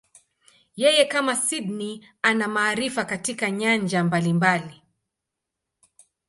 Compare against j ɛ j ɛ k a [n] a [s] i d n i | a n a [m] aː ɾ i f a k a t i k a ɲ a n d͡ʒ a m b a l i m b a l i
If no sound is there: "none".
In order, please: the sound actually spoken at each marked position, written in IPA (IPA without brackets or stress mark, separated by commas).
m, s, m